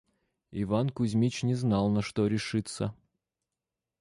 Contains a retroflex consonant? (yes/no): yes